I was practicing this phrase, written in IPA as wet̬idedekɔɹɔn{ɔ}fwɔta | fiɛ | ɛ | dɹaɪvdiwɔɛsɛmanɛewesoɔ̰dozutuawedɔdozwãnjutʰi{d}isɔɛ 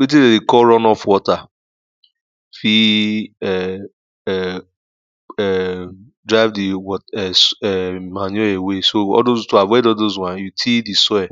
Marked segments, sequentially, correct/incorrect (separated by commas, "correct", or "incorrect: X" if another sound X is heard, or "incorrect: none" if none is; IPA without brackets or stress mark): correct, correct